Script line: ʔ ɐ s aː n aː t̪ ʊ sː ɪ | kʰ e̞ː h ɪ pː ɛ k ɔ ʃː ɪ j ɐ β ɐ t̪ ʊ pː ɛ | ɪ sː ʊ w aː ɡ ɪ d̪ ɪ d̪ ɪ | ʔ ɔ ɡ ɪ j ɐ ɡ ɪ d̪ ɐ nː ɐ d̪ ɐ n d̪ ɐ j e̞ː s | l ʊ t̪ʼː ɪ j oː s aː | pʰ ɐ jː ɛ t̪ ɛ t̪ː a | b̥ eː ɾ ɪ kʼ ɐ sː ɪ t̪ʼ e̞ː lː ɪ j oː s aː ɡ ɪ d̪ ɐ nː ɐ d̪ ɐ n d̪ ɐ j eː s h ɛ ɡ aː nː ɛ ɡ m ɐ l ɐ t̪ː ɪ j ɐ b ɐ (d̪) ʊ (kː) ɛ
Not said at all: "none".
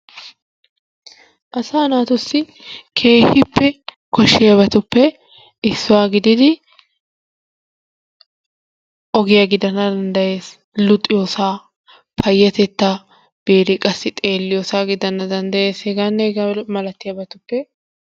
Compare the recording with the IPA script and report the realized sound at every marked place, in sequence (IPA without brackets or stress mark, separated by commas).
t̪, pː